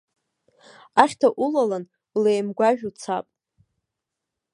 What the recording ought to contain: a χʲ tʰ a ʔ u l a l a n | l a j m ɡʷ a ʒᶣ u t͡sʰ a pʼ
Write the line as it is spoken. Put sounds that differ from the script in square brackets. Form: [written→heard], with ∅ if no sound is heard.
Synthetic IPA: a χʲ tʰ a ʔ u l a l a n | l [a→e] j m ɡʷ a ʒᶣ u t͡sʰ a pʼ

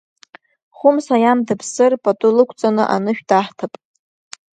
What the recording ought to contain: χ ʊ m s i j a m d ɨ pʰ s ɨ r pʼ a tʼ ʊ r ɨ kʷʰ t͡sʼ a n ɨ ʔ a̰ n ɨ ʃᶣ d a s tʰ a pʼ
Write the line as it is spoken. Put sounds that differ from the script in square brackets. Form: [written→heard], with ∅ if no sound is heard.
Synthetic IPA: χ ʊ m s [i→a] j a m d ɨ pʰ s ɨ r pʼ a tʼ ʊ [r→l] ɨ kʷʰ t͡sʼ a n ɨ ʔ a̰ n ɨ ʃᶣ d a [s→ħ] tʰ a pʼ

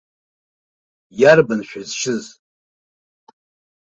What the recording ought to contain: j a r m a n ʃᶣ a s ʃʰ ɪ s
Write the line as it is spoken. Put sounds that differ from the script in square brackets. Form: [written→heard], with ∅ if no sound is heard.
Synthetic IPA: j a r [m→b] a n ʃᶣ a [s→z] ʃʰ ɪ [s→z]

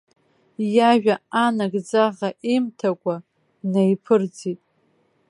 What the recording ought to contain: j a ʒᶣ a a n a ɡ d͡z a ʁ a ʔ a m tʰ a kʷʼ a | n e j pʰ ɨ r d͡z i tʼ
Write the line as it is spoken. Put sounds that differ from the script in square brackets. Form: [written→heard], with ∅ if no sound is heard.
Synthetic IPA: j a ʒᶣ a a n a ɡ d͡z a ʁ a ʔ [a→i] m tʰ a kʷʼ a | n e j pʰ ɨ r d͡z i tʼ

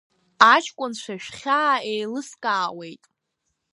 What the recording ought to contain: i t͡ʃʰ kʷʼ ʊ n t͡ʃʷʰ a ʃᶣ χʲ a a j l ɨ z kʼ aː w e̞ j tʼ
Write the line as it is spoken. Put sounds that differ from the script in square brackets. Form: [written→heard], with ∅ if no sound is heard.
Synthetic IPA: [i→a] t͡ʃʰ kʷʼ ʊ n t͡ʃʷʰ a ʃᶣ χʲ a [a→e] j l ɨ [z→s] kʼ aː w e̞ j tʼ

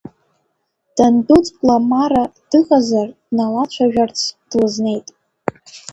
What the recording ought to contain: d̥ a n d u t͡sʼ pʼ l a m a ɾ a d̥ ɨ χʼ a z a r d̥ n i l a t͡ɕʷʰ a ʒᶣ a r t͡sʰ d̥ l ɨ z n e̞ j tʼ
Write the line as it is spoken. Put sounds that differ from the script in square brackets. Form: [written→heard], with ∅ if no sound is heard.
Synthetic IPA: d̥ a n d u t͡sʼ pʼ l a m a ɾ a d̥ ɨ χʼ a z a r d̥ n [i→a] l a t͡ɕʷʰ a ʒᶣ a r t͡sʰ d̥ l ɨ z n e̞ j tʼ

